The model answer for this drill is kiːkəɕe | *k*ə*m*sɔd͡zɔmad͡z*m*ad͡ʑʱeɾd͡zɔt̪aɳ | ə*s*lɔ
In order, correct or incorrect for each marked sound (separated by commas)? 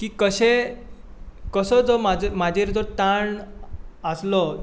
correct, incorrect, correct, correct